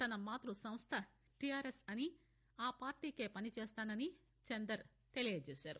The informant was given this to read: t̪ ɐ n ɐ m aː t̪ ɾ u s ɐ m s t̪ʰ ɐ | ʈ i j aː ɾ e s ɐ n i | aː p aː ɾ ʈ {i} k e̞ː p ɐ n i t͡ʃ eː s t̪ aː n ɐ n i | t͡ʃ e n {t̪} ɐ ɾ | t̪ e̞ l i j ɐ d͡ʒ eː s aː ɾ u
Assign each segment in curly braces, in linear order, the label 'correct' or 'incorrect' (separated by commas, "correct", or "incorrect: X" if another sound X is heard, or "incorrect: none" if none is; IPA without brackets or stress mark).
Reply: incorrect: iː, incorrect: d̪